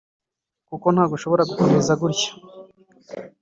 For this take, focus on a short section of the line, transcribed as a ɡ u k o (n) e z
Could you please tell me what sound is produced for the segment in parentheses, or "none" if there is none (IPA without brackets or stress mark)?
m